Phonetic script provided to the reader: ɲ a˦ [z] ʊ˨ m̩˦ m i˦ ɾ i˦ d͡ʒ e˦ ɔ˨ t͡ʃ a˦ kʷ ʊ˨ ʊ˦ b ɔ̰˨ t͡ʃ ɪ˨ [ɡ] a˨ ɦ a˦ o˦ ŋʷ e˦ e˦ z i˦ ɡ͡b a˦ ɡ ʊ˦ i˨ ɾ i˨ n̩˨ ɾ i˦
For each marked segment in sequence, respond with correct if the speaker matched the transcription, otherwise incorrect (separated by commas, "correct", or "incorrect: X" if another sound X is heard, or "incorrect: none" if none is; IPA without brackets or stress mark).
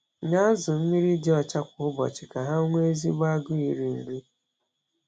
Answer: correct, incorrect: k